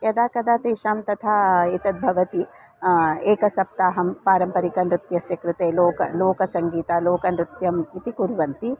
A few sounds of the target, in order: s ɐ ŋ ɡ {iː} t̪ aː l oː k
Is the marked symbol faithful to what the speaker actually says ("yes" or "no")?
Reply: yes